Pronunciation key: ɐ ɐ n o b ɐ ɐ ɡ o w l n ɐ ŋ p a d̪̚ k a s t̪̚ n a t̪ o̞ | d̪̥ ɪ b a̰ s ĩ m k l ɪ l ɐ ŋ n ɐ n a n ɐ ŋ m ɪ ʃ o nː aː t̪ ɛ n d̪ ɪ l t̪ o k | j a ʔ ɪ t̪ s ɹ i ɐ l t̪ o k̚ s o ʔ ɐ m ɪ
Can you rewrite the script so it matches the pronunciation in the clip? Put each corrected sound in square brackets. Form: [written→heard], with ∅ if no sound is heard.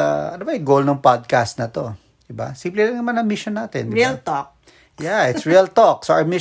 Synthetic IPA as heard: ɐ ɐ n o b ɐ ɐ ɡ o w l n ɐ ŋ p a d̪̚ k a s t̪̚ n [a→ɐ] t̪ o̞ | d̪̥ ɪ b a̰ s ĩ m [k→p] l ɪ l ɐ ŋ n ɐ [n→m] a n ɐ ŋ m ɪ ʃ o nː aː t̪ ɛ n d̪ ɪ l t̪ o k | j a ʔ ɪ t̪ s ɹ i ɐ l t̪ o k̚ s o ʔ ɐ m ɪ